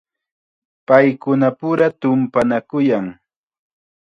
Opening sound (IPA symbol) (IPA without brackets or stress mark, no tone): p